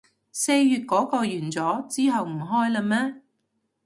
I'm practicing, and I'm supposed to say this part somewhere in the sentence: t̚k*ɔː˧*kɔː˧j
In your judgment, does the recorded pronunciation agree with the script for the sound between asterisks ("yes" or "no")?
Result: no